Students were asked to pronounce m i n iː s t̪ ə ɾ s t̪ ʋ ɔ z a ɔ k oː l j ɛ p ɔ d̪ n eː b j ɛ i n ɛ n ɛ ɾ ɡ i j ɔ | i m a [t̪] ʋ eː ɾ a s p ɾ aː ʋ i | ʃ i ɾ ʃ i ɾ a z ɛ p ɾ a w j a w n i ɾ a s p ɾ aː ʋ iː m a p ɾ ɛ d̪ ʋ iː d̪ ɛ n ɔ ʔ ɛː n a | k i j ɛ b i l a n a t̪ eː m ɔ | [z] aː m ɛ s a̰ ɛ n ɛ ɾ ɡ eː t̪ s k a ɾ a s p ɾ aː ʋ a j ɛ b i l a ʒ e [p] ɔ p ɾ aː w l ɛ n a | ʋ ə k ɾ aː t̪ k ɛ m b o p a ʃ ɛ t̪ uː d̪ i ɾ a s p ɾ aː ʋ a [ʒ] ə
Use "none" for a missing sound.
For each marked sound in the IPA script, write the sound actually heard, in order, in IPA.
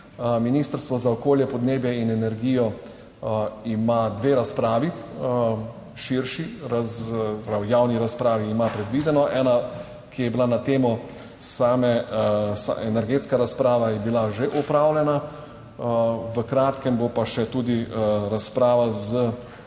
d̪, s, ʔ, z

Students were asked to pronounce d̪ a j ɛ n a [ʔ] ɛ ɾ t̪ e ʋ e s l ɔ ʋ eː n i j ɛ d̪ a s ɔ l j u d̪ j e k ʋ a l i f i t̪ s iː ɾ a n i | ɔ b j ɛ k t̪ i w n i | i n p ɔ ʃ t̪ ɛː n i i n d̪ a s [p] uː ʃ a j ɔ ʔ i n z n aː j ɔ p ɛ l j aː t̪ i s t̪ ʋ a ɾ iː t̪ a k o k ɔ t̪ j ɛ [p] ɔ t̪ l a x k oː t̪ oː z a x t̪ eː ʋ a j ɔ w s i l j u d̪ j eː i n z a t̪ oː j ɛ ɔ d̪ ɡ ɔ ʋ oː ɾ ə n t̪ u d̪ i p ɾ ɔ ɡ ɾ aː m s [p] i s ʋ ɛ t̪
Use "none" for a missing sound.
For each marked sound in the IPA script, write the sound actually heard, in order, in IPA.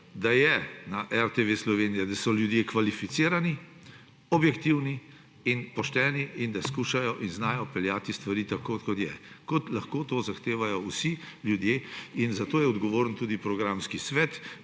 ʔ, k, k, k

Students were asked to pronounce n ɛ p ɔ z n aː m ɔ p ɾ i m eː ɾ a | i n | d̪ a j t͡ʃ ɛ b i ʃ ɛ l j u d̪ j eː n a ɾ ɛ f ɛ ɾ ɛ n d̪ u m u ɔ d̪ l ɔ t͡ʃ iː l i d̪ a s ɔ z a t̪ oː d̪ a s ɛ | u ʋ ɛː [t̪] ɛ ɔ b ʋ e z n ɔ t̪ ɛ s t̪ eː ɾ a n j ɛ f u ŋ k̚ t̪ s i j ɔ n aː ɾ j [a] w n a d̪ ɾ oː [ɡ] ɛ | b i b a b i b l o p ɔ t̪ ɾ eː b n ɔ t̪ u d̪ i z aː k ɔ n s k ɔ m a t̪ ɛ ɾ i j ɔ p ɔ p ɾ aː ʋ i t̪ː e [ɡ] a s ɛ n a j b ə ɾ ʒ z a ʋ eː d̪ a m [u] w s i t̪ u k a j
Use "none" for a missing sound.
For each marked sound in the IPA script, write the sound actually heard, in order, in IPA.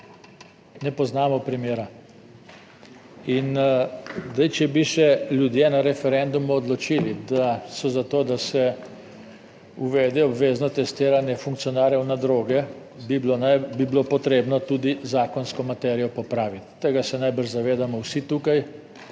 d̪, ɛ, ɡ, ɡ, ɔ

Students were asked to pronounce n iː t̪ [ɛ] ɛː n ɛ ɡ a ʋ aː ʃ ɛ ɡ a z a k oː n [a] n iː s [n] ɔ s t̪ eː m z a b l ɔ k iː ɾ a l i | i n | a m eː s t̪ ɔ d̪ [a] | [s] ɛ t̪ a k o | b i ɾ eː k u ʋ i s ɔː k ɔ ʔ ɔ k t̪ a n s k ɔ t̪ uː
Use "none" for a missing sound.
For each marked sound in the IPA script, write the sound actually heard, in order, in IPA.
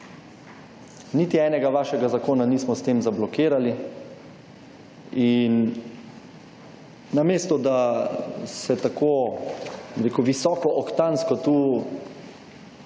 i, a, m, a, s

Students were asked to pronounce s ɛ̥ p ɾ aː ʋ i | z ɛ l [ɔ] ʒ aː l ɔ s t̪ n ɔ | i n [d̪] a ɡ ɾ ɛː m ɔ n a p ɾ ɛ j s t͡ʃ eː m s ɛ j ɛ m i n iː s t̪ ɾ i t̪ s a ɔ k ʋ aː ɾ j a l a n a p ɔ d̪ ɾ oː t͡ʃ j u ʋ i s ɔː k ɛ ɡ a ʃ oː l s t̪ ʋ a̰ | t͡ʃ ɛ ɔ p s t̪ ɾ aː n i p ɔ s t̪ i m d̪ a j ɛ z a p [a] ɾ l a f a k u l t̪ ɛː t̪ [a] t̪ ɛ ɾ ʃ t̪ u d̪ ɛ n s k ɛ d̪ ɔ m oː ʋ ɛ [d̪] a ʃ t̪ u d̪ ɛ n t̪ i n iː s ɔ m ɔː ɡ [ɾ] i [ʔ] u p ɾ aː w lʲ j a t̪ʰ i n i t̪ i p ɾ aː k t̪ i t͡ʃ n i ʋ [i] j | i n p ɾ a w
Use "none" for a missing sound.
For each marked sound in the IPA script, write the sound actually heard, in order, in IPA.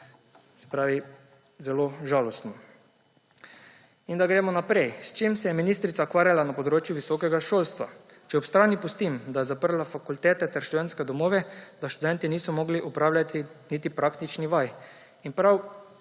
o, d̪, ə, ɛ, d̪, l, ʔ, a

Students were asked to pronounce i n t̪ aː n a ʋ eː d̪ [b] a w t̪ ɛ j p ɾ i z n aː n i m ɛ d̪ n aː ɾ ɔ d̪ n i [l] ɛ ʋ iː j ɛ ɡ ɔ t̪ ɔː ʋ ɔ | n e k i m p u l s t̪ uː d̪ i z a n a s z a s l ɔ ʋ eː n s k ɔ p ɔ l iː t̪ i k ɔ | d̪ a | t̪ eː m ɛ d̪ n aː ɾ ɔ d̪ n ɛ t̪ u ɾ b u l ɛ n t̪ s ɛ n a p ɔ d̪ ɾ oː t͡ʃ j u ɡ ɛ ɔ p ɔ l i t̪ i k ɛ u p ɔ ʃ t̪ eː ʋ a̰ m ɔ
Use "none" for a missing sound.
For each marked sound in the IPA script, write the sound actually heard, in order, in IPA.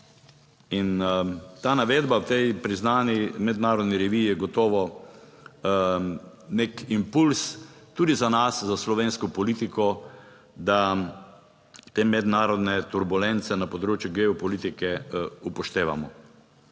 b, ɾ

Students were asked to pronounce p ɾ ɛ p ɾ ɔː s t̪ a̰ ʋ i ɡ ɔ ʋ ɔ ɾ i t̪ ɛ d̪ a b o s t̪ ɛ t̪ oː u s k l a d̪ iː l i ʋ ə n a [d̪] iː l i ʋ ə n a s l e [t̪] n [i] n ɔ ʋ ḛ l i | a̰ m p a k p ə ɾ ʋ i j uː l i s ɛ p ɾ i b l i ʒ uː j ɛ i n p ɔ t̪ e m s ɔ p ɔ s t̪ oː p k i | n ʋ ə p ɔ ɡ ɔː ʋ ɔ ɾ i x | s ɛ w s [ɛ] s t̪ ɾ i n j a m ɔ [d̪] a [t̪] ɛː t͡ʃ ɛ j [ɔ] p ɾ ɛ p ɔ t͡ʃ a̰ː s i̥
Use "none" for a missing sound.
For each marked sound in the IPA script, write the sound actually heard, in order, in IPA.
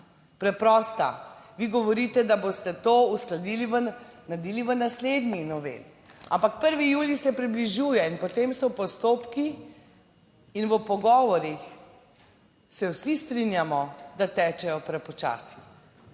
d̪, d̪, i, i, d̪, t̪, ɔ

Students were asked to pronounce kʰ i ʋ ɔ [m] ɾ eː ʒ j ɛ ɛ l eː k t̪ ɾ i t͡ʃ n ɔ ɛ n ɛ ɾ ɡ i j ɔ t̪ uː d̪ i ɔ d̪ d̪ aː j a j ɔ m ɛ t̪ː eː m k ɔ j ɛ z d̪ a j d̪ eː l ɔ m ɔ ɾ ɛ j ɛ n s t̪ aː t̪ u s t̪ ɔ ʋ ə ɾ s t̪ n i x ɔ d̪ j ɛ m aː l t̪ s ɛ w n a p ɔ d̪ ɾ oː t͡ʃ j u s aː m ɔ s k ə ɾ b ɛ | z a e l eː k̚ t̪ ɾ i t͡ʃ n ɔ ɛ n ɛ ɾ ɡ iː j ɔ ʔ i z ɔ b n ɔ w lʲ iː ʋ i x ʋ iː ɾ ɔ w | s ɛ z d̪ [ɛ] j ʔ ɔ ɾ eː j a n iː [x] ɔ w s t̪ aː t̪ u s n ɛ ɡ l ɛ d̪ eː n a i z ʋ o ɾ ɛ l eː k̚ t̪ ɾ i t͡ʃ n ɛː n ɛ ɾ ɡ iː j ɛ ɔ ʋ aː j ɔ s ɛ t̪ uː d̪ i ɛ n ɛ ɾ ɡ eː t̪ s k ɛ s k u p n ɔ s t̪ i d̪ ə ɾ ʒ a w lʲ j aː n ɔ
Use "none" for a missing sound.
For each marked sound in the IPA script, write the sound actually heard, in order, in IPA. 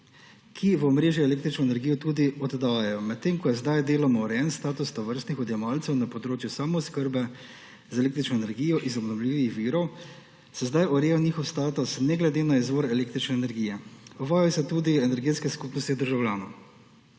m, a, x

